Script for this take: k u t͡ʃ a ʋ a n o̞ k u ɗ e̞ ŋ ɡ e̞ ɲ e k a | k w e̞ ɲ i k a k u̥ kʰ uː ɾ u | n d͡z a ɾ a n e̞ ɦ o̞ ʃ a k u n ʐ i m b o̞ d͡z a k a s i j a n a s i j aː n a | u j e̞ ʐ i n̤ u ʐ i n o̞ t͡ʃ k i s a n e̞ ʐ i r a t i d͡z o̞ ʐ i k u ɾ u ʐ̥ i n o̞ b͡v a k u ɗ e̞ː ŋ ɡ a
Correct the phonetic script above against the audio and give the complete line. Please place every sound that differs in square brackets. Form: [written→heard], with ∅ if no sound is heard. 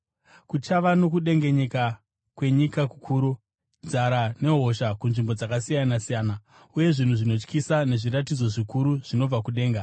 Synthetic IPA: k u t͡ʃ a ʋ a n o̞ k u ɗ e̞ ŋ ɡ e̞ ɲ e k a | k w e̞ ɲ i k a k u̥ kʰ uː ɾ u | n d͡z a ɾ a n e̞ ɦ o̞ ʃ a k u n ʐ i m b o̞ d͡z a k a s i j a n a s i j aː n a | u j e̞ ʐ i n̤ u ʐ i n o̞ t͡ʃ k i s a n e̞ ʐ i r a t i d͡z o̞ ʐ i k u ɾ u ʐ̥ i n o̞ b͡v a k u ɗ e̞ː ŋ ɡ a